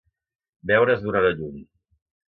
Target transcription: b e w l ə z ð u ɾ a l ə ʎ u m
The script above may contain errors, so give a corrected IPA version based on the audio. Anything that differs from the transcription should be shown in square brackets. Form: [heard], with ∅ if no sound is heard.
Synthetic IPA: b [ɛ] w [ɾ] ə z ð u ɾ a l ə ʎ u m